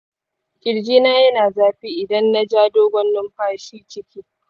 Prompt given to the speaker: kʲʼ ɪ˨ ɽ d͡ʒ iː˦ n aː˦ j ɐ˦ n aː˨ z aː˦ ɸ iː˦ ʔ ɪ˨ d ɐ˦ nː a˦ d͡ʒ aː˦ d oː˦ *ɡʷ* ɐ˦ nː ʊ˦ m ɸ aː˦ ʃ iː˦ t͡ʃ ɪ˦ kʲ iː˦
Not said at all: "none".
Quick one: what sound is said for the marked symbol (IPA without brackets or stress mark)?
ɡʷ